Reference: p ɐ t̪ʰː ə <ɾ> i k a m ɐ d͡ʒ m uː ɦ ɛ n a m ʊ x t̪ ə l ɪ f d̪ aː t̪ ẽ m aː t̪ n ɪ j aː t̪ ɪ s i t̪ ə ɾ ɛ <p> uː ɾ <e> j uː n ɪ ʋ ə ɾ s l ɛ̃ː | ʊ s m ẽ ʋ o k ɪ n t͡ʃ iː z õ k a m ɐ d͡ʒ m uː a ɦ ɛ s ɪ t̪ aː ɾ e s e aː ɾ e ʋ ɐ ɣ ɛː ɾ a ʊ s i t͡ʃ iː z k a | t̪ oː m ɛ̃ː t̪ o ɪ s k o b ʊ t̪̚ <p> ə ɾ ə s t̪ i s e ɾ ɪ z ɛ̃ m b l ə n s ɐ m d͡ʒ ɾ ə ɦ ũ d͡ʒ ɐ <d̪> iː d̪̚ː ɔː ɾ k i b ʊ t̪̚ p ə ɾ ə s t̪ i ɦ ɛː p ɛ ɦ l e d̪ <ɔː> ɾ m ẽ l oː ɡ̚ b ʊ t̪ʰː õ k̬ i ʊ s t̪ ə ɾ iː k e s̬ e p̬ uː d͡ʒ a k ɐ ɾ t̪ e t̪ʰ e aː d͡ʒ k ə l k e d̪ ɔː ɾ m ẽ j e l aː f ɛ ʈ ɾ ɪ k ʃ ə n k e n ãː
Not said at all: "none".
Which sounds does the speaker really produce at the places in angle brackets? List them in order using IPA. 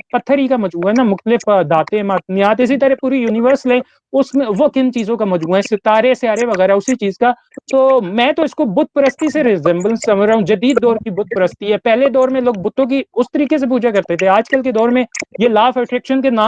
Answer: ɾ, p, i, p, d̪, ɔː

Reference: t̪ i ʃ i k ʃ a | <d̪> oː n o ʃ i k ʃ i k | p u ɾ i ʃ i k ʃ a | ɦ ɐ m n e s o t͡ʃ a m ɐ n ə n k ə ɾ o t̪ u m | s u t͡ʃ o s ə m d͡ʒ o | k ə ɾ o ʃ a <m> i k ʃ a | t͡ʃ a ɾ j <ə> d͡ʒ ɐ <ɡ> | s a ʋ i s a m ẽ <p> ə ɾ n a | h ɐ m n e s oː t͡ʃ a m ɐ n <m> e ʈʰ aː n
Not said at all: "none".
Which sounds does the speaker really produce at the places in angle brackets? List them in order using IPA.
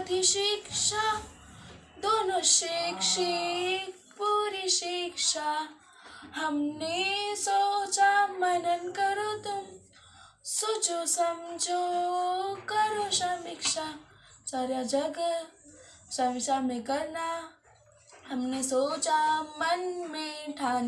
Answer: d̪, m, a, ɡ, k, m

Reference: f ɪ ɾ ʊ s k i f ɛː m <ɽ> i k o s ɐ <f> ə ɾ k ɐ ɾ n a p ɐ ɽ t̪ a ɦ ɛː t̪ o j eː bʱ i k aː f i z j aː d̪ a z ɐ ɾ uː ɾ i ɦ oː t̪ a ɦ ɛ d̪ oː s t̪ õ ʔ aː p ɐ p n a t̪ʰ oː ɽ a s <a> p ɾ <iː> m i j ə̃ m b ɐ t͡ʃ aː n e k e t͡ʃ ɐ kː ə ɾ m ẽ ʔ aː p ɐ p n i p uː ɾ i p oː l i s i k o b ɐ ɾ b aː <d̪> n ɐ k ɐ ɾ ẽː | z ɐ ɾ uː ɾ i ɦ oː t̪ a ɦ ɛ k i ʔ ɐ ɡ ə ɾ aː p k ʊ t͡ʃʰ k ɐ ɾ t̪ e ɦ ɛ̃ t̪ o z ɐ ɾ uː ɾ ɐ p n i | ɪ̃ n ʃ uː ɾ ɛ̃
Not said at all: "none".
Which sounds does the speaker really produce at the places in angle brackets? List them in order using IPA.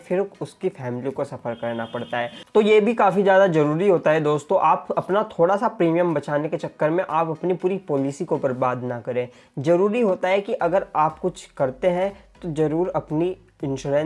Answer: l, f, a, iː, d̪

